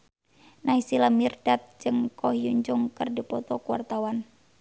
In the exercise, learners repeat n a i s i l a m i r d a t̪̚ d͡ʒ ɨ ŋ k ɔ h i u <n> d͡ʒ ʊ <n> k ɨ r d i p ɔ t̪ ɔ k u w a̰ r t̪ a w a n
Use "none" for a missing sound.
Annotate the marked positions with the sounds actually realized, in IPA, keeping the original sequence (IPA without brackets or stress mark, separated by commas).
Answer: ɲ, ŋ